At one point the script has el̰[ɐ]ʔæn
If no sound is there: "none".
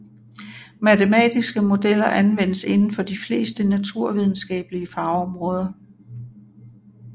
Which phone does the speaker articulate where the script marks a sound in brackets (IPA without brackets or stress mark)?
ɐ